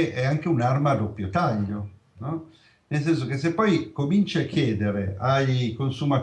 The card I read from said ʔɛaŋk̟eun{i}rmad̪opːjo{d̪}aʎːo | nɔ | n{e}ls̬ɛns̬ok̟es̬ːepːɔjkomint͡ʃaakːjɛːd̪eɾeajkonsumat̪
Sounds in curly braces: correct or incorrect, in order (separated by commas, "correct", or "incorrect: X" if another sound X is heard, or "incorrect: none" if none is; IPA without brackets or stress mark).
incorrect: a, incorrect: t̪, correct